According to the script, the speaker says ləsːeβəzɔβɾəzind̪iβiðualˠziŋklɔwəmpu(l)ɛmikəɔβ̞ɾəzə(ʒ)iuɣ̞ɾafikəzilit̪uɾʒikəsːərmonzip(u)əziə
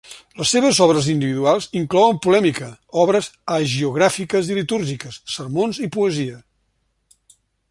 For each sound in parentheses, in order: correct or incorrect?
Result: correct, correct, correct

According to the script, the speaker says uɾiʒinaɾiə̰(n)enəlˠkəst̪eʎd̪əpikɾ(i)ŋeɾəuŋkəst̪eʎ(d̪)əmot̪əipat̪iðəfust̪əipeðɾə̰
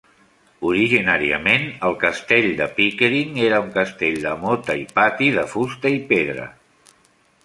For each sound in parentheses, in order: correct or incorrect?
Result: incorrect, correct, correct

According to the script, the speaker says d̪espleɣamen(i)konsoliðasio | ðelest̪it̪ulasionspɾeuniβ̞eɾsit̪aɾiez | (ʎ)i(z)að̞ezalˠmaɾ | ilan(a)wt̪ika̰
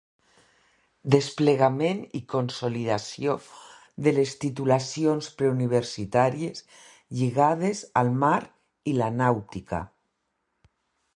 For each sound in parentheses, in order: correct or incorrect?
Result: correct, correct, incorrect, correct

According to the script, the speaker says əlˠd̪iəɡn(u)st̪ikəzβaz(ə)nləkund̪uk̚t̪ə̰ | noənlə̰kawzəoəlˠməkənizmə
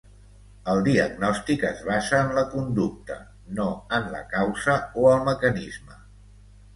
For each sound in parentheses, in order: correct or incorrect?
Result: incorrect, incorrect

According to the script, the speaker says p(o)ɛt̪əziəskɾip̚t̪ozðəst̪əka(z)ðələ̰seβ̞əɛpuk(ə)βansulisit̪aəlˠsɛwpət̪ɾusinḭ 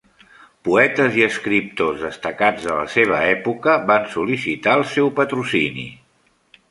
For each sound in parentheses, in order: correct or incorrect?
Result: incorrect, incorrect, correct

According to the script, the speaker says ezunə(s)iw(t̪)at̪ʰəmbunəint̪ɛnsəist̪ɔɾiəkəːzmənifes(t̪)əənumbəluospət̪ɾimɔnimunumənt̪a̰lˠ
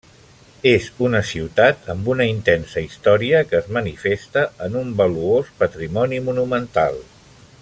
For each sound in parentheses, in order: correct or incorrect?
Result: correct, correct, correct

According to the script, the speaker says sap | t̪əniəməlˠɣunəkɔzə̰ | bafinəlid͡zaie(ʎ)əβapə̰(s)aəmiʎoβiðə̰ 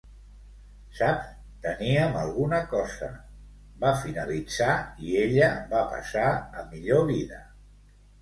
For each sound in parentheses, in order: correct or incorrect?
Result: correct, correct

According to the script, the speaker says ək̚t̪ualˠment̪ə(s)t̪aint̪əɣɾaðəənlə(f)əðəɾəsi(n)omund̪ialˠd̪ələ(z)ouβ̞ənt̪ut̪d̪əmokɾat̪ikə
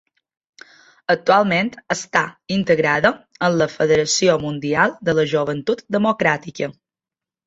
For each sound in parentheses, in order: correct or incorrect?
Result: correct, correct, incorrect, incorrect

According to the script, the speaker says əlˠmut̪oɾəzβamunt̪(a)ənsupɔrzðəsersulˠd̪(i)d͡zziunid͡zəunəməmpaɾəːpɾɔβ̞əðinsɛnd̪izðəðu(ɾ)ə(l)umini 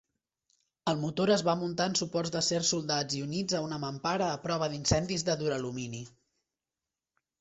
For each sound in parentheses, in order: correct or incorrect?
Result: correct, incorrect, correct, correct

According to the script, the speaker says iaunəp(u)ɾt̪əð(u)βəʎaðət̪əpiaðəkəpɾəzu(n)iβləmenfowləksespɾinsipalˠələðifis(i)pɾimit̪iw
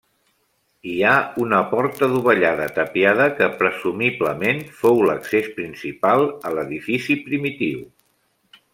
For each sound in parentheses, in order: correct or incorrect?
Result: incorrect, correct, incorrect, correct

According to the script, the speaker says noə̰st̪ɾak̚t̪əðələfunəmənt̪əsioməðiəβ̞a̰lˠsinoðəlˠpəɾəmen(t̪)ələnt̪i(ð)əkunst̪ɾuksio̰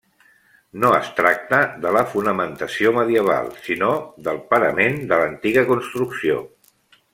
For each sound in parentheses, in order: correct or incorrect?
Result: incorrect, incorrect

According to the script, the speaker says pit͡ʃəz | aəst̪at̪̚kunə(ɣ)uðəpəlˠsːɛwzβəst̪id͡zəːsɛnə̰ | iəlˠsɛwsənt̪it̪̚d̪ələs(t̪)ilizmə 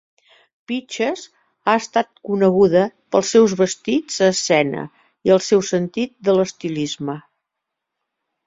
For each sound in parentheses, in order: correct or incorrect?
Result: correct, correct

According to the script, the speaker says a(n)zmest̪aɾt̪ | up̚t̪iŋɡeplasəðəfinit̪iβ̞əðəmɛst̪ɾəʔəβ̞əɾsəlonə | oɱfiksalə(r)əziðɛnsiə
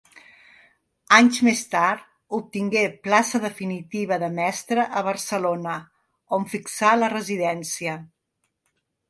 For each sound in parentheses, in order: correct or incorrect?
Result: incorrect, correct

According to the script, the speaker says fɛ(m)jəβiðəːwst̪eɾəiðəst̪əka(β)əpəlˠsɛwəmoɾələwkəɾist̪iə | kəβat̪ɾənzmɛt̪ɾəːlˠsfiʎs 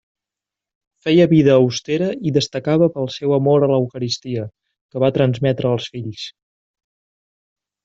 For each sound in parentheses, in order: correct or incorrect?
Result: incorrect, correct

